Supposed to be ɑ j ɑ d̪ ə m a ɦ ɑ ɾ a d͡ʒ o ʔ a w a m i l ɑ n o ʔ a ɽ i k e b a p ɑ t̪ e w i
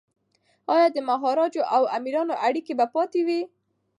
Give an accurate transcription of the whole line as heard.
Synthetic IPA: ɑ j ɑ d̪ ə m a ɦ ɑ ɾ ɑ d͡ʒ o ʔ a w a m i ɾ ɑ n o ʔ a ɽ i k e b a p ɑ t̪ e w i

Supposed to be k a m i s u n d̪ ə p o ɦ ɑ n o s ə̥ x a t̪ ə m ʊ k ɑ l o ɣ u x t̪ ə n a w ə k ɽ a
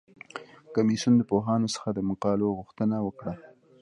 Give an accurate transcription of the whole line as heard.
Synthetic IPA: k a m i s u n d̪ ə p o ɦ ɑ n o s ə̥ x a d̪ ə m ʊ q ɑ l o ɣ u x t̪ ə n a w ə k ɽ a

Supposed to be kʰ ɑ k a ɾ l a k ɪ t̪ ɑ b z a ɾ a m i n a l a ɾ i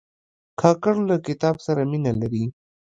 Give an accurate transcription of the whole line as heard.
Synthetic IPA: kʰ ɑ k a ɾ l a k ɪ t̪ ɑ b s a ɾ a m i n a l a ɾ i

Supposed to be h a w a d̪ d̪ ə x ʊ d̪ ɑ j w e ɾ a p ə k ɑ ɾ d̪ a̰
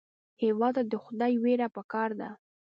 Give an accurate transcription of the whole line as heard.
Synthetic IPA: h e w ɑ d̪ d̪ ə x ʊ d̪ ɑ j w e ɾ a p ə k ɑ ɾ d̪ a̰

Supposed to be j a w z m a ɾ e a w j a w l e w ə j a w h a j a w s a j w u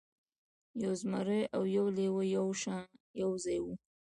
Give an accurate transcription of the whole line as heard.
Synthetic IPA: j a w z m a ɾ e a w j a w l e w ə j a w ʃ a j a w z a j w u

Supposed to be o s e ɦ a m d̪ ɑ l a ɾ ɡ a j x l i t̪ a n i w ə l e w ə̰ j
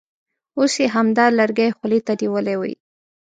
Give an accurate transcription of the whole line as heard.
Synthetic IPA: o s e ɦ a m d̪ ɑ l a ɾ ɡ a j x l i t̪ a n i w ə l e w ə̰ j

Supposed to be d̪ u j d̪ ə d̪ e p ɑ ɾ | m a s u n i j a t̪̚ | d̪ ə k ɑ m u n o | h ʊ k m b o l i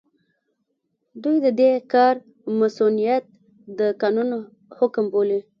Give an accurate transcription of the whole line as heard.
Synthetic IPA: d̪ u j d̪ ə d̪ e k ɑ ɾ | m a s u n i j a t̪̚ | d̪ ə k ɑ n u n o | h ʊ k m b o l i

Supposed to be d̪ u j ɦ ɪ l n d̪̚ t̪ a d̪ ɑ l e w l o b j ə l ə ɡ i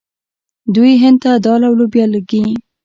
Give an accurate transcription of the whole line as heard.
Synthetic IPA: d̪ u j ɦ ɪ n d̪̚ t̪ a d̪ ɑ l a w l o b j ɑ l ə ɡ i

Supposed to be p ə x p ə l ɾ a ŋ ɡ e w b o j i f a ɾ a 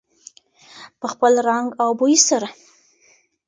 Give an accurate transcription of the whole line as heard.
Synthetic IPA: p ə x p ə l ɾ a ŋ ɡ a w b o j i s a ɾ a

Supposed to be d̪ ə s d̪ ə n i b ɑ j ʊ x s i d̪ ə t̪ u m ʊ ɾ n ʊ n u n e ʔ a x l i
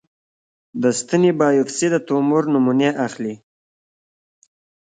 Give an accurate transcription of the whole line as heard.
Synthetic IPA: d̪ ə s t̪ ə n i b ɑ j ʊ f s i d̪ ə t̪ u m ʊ ɾ n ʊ m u n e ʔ a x l i

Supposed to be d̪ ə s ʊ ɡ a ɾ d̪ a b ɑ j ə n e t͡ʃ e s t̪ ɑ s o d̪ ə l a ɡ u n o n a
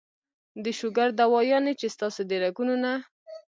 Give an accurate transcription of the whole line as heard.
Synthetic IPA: d̪ ə ʃ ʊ ɡ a ɾ d̪ a w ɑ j ɑ n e t͡ʃ e s t̪ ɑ s o d̪ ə ɾ a ɡ u n o n a

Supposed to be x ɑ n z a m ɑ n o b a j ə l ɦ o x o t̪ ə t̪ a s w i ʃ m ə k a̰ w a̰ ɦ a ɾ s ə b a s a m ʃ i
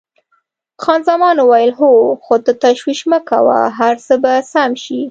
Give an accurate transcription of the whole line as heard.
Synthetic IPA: x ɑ n z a m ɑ n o w a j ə l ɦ o x o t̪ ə t̪ a ʃ w i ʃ m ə k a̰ w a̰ ɦ a ɾ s ə b a s a m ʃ i

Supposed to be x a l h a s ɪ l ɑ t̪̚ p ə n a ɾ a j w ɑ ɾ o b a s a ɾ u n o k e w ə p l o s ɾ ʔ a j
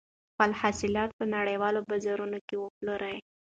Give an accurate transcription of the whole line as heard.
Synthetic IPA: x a l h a s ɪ l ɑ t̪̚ p ə n a ɽ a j w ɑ l o b a z a ɾ u n o k e w ə p l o ɾ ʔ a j

